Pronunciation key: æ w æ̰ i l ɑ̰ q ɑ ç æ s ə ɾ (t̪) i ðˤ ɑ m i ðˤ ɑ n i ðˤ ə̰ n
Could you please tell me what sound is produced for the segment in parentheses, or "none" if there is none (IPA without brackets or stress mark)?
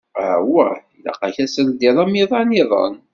d̪